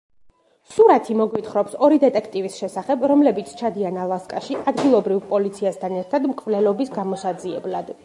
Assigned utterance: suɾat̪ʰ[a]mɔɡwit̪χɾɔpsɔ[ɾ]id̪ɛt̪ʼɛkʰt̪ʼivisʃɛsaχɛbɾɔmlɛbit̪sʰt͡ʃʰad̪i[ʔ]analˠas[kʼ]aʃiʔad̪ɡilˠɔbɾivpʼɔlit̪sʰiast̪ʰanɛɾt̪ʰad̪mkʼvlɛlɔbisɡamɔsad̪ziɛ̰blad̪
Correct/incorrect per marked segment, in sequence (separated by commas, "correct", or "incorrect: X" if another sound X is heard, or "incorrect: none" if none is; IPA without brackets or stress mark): incorrect: i, correct, incorrect: none, correct